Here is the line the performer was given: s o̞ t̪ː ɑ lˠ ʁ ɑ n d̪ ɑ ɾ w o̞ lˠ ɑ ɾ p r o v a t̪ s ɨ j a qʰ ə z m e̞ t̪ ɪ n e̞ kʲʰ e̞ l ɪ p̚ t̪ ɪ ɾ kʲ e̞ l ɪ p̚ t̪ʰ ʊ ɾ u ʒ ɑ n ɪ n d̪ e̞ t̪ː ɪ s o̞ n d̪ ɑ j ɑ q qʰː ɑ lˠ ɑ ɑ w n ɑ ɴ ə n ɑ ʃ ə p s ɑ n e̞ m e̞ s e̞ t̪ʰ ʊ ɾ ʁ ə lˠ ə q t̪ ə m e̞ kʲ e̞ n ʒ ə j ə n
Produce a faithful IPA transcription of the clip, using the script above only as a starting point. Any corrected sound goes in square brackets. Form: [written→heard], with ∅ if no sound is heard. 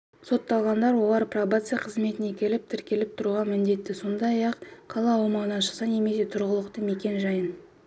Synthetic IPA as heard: s o̞ t̪ː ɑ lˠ ʁ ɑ n d̪ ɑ ɾ w o̞ lˠ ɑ ɾ p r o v a t̪ s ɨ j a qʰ ə z m e̞ t̪ ɪ n e̞ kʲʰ e̞ l ɪ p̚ [t̪→t̪ʰ] ɪ ɾ kʲ e̞ l ɪ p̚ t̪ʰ ʊ ɾ u [ʒ→ʁ] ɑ [n→m] ɪ n d̪ e̞ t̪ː ɪ s o̞ n d̪ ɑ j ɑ q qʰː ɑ lˠ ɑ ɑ w [n→m] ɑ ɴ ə n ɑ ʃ ə [p→q] s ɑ n e̞ m e̞ s e̞ t̪ʰ ʊ ɾ ʁ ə lˠ ə q t̪ ə m e̞ kʲ e̞ n ʒ [ə→ɑ] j ə n